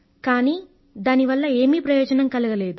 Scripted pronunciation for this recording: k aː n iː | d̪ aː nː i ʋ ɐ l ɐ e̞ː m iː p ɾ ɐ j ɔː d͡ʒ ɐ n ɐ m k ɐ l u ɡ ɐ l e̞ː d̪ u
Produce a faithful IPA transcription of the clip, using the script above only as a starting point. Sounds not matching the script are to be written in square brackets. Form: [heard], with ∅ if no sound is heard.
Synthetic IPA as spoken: k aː n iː | d̪ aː [n] i ʋ ɐ [lː] ɐ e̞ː m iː p ɾ ɐ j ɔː d͡ʒ ɐ n ɐ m k ɐ l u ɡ ɐ l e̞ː d̪ u